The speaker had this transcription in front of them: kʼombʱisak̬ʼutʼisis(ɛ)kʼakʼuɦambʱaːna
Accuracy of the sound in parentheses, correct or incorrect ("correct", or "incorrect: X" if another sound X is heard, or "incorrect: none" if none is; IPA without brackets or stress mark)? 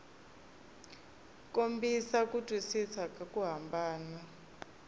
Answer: incorrect: a